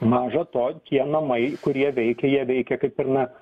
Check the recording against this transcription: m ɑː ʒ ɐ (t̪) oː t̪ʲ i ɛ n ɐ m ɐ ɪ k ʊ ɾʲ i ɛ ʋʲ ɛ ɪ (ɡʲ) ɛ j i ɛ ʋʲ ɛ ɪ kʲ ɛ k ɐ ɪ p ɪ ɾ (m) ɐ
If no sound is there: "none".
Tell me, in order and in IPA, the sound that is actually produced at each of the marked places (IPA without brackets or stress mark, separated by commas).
t̪, kʲ, n